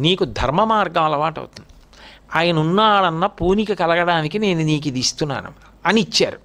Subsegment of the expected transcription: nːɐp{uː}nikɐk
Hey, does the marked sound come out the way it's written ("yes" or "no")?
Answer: yes